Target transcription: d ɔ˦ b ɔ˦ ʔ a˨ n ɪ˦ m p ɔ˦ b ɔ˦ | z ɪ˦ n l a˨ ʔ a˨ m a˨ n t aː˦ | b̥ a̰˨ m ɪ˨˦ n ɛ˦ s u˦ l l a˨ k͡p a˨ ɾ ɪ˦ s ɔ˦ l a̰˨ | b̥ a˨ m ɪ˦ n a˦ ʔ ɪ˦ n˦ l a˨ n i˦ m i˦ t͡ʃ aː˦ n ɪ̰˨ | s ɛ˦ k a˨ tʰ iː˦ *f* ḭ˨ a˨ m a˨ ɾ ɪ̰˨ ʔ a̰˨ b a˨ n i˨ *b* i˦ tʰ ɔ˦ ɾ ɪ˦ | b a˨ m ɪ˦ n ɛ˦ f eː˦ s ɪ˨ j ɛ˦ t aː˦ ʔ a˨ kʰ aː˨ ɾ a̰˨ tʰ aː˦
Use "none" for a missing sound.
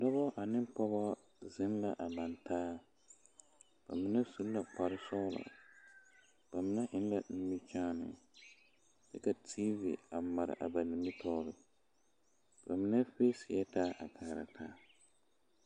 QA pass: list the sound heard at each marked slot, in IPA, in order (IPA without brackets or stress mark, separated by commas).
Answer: v, m